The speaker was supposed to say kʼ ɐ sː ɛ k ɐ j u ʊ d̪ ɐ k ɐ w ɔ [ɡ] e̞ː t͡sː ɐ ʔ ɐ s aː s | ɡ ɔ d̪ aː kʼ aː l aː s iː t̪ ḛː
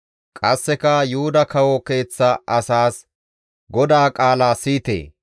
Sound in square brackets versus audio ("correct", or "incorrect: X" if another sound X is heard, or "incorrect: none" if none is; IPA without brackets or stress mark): incorrect: k